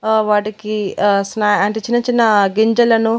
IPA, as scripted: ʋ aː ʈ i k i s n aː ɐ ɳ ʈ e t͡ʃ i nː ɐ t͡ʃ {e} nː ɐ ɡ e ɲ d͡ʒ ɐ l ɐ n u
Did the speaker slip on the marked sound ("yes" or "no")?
yes